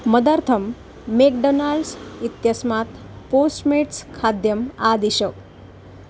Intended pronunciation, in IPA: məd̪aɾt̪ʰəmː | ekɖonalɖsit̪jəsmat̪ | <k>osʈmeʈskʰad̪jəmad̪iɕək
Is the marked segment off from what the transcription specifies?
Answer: yes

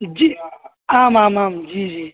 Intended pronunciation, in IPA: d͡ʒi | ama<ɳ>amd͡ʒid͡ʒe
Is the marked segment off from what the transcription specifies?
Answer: yes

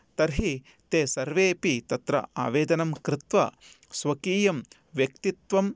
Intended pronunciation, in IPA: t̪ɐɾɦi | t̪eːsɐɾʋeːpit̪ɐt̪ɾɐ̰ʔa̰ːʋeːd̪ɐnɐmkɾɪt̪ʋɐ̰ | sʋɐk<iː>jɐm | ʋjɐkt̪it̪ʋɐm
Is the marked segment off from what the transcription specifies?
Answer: no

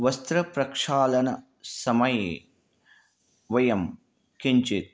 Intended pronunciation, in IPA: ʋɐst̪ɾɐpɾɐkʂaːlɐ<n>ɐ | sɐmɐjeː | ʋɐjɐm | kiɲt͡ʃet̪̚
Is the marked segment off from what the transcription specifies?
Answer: no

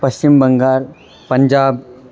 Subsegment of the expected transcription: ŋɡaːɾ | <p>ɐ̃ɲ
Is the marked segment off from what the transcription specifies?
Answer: no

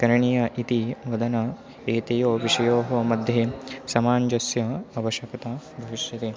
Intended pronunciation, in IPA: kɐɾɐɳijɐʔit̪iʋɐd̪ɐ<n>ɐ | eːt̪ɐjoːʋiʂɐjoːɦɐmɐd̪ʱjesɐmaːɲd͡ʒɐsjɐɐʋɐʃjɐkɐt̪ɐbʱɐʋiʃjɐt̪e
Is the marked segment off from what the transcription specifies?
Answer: no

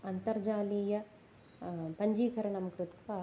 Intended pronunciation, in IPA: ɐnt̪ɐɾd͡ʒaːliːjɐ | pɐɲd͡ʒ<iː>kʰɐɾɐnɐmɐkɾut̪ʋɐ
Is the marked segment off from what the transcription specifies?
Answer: no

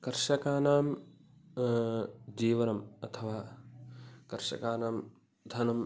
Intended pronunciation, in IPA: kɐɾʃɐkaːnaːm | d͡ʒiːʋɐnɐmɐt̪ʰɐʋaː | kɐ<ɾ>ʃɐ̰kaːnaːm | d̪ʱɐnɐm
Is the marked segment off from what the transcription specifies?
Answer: no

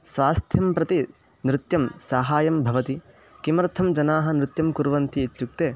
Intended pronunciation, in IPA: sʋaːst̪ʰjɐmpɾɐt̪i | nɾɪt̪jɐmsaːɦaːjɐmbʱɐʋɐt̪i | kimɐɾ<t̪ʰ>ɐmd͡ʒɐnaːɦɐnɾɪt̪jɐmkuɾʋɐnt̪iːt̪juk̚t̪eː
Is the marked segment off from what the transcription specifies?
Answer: no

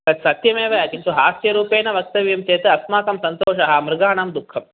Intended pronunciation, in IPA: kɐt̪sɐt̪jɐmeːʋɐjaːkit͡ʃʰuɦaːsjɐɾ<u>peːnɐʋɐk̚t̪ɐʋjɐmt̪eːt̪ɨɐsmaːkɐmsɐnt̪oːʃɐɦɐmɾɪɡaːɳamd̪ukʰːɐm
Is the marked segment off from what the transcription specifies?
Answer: yes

